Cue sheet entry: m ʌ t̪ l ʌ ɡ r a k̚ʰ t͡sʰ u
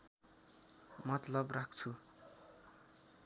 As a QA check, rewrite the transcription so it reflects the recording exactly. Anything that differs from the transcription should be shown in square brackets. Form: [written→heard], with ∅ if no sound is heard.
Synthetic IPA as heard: m ʌ t̪ l ʌ [ɡ→b] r a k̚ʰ t͡sʰ u